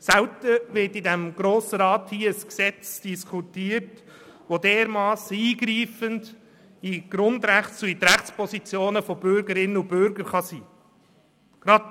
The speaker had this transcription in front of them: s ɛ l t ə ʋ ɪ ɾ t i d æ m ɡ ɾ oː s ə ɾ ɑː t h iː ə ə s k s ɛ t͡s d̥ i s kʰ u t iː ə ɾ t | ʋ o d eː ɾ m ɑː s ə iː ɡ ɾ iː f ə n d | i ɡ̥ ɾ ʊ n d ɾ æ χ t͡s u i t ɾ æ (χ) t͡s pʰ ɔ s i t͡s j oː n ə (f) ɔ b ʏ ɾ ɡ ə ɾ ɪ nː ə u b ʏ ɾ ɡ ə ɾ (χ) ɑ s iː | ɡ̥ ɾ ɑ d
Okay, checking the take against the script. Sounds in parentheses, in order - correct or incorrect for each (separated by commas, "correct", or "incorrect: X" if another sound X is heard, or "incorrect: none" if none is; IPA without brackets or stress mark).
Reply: correct, correct, correct